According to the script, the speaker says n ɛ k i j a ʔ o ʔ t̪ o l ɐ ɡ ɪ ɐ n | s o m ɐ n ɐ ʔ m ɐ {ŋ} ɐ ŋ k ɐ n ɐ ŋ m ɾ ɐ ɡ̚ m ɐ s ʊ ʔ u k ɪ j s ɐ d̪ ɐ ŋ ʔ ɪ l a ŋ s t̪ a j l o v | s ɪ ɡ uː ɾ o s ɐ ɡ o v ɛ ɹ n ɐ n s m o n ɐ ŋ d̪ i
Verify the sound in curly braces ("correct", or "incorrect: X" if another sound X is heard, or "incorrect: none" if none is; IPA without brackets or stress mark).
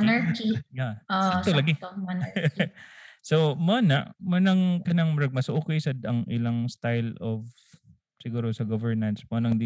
incorrect: n